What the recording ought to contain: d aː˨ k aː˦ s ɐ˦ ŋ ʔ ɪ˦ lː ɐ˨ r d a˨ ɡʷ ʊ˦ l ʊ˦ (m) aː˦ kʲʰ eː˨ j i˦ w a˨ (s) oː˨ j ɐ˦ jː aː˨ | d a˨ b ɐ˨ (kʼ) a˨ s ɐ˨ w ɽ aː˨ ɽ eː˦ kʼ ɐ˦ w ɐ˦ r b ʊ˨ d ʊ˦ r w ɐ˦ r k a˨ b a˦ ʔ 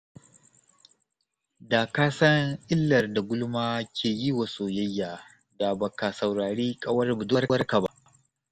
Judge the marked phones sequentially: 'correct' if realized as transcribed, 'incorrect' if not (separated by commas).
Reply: correct, correct, incorrect